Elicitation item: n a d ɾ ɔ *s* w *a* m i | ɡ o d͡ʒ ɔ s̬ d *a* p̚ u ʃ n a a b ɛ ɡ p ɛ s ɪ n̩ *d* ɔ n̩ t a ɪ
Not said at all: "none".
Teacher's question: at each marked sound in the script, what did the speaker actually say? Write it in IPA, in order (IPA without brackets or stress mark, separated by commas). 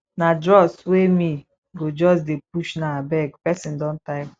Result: s, e, e, d